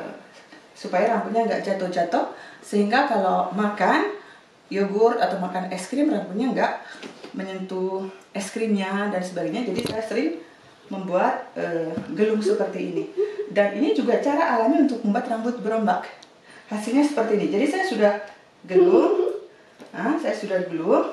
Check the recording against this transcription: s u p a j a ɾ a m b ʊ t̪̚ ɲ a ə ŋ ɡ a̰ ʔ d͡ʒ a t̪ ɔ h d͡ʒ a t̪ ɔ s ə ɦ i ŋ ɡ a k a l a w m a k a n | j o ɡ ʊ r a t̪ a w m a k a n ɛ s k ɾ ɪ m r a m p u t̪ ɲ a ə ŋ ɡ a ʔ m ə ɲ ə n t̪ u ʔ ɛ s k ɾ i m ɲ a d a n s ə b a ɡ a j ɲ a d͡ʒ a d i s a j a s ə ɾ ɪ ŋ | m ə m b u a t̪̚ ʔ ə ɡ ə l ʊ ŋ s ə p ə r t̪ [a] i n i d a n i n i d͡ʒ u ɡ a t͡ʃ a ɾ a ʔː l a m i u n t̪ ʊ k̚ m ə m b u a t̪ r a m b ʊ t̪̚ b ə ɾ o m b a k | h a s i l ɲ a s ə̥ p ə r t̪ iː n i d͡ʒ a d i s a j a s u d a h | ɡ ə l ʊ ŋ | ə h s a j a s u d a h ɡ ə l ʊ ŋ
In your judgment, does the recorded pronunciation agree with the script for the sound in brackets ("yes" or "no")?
no